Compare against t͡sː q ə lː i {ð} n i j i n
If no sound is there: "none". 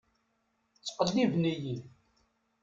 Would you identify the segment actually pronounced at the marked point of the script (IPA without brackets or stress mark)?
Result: v